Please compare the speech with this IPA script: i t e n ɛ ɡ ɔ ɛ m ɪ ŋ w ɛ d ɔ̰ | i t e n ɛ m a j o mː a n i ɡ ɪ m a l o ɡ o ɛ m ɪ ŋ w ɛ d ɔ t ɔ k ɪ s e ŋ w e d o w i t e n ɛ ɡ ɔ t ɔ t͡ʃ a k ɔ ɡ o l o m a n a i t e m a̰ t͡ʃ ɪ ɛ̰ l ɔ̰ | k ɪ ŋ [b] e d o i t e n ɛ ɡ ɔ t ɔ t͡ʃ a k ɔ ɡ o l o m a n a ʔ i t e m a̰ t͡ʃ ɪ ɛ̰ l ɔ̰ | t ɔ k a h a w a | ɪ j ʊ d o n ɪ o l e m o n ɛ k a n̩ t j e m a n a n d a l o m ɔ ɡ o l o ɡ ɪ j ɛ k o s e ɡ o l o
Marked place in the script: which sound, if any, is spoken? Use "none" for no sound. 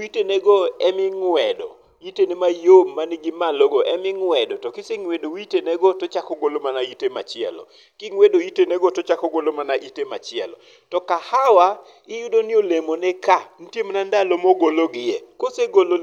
w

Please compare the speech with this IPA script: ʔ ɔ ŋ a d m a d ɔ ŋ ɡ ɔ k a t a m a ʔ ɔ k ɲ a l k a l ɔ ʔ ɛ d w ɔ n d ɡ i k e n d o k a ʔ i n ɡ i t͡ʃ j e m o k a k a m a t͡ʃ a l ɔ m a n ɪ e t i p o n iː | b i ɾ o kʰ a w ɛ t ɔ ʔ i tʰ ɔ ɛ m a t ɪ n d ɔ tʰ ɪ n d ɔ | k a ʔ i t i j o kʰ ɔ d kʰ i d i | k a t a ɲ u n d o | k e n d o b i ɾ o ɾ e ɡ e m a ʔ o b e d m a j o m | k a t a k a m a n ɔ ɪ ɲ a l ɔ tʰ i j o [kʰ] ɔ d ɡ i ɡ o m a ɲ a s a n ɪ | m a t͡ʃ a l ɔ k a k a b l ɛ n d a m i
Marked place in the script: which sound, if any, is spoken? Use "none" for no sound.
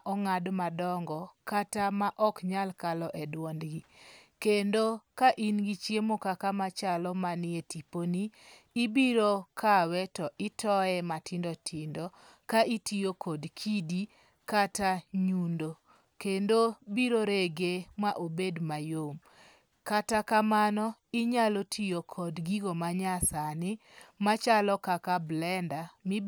kʰ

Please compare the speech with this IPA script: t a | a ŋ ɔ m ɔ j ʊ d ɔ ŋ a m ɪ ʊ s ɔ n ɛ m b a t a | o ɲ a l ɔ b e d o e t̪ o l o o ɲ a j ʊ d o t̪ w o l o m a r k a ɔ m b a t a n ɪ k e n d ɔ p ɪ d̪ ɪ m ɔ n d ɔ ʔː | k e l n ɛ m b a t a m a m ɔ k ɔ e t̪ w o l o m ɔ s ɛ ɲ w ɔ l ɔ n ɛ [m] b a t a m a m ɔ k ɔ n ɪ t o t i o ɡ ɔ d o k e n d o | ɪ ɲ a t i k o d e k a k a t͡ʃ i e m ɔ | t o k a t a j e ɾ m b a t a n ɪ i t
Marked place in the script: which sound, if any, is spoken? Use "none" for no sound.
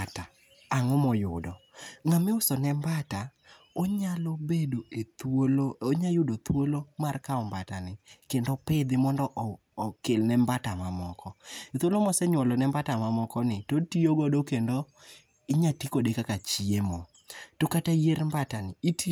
m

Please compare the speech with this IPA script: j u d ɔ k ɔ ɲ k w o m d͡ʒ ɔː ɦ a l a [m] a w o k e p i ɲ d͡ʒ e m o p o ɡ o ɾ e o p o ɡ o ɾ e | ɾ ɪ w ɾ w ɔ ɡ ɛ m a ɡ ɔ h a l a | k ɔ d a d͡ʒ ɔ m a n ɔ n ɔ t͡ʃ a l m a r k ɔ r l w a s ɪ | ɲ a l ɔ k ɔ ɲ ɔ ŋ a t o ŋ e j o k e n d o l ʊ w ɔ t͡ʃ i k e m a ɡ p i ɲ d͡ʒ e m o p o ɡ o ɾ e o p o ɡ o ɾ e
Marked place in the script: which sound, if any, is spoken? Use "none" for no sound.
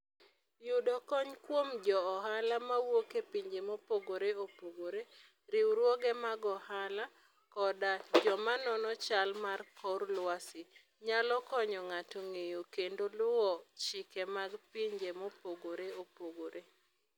m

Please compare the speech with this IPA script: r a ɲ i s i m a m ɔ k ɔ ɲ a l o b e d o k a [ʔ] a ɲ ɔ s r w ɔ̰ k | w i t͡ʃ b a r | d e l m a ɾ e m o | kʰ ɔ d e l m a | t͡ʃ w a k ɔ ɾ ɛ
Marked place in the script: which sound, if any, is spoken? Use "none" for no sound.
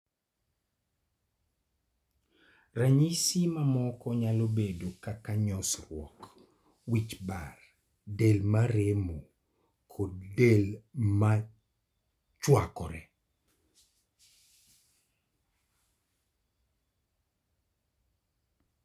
k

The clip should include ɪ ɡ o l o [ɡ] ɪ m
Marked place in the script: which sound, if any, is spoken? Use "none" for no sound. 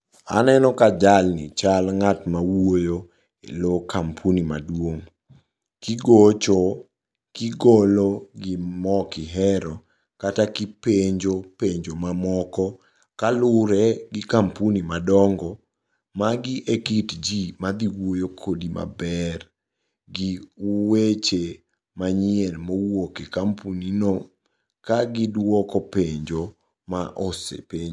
ɡ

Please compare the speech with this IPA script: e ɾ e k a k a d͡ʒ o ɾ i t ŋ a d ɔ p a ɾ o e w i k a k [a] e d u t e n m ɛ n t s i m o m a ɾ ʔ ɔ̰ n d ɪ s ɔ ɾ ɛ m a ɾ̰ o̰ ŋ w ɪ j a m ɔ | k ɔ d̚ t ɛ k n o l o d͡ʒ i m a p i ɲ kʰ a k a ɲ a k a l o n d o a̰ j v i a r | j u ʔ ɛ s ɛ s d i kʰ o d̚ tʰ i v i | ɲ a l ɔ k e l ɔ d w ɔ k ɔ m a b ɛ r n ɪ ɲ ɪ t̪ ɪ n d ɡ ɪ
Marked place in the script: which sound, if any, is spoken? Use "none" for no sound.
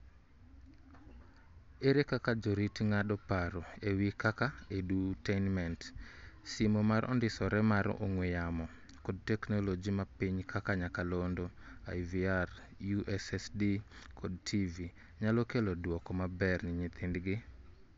a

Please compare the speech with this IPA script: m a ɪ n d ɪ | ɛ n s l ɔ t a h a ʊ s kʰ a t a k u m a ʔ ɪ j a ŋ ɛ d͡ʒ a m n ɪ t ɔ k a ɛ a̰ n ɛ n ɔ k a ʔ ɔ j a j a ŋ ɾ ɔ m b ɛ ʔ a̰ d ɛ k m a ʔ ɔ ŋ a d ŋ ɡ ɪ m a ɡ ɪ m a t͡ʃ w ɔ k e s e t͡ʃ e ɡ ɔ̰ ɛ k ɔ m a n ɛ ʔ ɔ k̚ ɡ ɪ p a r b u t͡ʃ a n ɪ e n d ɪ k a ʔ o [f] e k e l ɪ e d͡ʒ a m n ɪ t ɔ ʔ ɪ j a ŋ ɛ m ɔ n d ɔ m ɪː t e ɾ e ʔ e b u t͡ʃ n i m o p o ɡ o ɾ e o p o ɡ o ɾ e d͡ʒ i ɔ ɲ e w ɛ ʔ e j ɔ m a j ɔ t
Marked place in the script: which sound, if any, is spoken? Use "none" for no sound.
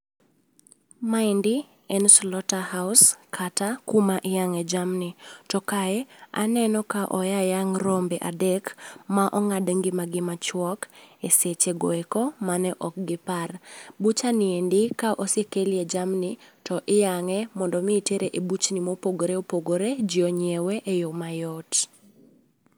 s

